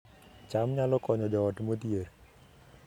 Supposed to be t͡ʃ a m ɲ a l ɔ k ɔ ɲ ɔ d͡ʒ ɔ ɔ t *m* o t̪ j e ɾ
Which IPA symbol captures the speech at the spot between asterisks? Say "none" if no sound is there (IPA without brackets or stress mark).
m